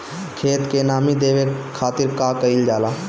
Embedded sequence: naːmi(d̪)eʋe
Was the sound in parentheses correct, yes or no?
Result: yes